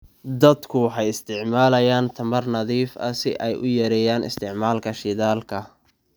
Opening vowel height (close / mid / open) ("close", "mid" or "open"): open